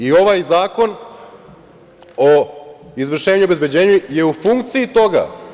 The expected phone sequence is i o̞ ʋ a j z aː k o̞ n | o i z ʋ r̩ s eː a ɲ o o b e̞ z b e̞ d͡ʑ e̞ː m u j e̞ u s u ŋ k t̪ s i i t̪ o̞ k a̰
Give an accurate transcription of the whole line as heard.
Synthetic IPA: i o̞ ʋ a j z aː k o̞ n | o i z ʋ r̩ ʃ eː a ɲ u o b e̞ z b e̞ d͡ʑ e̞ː ɲ u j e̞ u f u ŋ k t̪ s i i t̪ o̞ ɡ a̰